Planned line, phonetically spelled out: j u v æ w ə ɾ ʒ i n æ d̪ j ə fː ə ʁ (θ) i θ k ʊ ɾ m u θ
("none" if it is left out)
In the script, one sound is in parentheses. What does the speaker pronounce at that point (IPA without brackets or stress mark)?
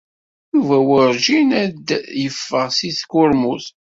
s